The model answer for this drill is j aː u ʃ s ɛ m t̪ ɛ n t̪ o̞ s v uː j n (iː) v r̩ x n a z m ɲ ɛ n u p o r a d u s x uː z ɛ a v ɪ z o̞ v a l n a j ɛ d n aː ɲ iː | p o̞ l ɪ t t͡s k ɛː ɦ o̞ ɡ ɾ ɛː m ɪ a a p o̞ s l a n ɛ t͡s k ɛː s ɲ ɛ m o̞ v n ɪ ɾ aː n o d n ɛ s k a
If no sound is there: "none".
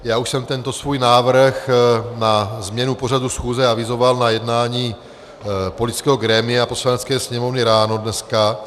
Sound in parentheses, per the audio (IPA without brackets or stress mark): aː